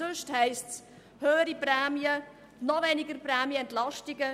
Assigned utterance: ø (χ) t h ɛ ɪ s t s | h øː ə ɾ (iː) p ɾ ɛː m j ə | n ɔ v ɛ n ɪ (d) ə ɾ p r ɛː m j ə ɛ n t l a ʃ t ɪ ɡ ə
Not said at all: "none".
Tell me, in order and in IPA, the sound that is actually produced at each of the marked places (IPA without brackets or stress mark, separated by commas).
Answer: ʃ, i, ɡ